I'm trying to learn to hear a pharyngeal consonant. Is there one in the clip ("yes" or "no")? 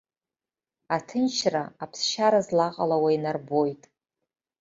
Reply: no